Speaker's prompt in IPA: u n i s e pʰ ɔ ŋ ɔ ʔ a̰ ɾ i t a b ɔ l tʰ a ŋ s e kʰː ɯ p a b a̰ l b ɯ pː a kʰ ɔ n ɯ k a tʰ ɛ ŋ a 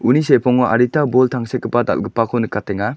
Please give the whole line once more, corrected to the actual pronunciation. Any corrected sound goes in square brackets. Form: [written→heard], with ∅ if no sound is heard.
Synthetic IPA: u n i s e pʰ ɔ ŋ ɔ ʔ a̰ ɾ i t a b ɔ l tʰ a ŋ s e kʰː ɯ p a [b→d] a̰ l [b→ɡ] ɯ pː a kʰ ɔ n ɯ k a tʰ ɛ ŋ a